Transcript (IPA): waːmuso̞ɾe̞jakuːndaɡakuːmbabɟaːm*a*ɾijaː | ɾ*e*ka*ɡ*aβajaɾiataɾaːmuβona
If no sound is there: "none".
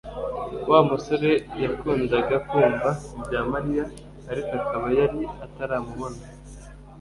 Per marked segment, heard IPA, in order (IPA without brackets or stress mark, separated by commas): a, i, k